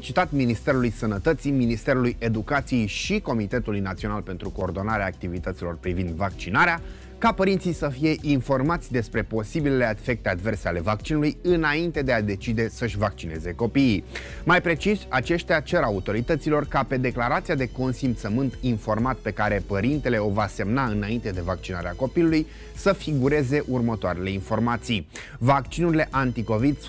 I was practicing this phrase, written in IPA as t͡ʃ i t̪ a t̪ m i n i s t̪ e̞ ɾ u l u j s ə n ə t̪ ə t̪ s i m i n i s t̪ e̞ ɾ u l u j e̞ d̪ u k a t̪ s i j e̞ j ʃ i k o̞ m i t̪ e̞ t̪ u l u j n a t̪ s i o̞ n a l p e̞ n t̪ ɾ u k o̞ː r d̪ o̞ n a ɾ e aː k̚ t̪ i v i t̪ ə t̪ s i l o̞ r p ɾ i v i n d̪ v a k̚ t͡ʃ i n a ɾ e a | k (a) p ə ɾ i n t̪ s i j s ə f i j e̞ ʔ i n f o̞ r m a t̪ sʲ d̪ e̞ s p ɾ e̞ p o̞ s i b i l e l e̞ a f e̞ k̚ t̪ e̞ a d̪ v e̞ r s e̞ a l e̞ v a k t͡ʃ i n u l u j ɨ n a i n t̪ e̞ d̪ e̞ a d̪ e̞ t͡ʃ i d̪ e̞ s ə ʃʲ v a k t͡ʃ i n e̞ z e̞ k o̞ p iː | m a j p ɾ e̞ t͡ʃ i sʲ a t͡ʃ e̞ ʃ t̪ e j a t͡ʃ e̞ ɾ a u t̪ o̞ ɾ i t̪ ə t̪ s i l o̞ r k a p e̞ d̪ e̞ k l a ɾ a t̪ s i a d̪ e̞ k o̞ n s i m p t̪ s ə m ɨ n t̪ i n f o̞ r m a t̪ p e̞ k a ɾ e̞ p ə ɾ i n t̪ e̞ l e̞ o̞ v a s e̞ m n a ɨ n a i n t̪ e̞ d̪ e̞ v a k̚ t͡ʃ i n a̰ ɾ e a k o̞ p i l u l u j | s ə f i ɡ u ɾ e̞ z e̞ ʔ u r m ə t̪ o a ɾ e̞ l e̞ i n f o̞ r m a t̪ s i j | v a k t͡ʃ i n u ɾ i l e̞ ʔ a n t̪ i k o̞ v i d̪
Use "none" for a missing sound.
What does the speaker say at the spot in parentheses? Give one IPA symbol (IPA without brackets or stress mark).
a